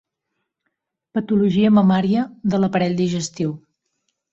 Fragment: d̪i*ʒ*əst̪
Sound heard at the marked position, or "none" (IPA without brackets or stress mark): ʒ